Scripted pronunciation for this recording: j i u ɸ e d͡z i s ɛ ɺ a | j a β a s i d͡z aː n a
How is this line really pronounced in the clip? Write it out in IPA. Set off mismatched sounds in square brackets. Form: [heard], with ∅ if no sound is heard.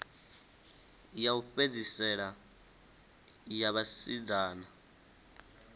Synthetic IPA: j [a] u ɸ e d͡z i s ɛ ɺ a | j a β a s i d͡z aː n a